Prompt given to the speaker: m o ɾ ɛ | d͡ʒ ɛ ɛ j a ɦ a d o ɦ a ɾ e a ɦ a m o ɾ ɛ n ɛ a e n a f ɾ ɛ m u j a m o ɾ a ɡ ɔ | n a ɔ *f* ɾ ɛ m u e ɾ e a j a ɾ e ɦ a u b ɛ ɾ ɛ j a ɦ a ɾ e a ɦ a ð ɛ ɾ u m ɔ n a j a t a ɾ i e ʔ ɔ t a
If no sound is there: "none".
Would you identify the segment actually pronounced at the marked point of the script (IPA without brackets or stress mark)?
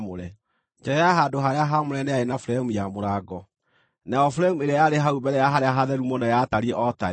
f